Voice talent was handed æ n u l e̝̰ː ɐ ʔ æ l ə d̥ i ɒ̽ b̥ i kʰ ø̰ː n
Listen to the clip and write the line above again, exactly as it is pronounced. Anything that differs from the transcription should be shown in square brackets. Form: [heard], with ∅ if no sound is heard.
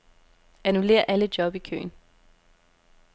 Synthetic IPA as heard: æ n u l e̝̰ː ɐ ʔ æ l ə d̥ [j] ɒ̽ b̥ i kʰ ø̰ː n

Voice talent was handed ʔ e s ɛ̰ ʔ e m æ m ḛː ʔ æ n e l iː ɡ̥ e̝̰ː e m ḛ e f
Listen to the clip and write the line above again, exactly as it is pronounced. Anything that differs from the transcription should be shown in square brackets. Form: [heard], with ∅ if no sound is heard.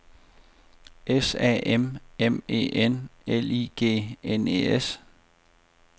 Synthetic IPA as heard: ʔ e s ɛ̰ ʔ e m [e] m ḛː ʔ [e] n e l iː ɡ̥ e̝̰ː e [n] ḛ e [s]

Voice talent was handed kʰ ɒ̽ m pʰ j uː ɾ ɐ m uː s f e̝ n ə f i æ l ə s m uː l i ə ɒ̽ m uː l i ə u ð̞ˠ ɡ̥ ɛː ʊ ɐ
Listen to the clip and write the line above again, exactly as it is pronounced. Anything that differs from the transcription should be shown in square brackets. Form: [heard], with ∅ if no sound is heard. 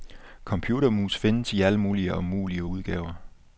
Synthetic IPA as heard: kʰ ɒ̽ m pʰ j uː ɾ ɐ m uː s f e̝ n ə [s] i æ l ə [∅] m uː l i ə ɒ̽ m uː l i ə u ð̞ˠ ɡ̥ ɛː ʊ ɐ

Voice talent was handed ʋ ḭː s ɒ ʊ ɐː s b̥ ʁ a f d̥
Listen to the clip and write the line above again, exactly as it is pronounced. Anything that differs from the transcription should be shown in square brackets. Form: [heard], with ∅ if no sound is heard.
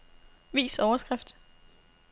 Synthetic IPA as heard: ʋ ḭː s ɒ ʊ [ɐ] s [ɡ̥] ʁ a f d̥

